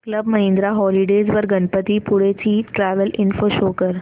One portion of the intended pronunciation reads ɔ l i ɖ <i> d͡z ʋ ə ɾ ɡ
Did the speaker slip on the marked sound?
yes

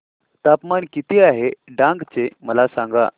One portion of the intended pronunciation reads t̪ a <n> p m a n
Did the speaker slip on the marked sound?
yes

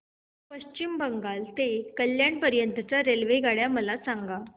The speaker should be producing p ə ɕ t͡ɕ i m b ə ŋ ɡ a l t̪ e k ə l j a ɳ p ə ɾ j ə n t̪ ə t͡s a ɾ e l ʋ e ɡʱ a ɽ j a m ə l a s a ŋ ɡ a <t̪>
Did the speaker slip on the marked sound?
yes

